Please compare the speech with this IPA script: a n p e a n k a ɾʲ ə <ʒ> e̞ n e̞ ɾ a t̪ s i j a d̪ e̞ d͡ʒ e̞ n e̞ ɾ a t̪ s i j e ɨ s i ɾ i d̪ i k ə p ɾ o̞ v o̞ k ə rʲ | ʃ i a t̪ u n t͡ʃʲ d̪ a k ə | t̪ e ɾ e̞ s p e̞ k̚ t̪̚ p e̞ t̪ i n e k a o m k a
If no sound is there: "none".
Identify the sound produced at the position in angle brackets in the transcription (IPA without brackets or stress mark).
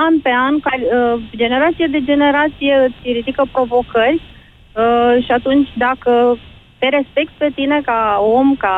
d͡ʒ